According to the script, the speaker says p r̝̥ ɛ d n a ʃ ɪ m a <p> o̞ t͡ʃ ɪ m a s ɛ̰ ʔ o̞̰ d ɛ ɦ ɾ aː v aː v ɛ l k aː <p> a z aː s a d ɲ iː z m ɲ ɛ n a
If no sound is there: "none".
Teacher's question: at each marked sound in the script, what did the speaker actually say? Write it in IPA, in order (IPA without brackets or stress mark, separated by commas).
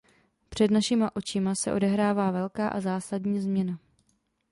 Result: ʔ, ʔ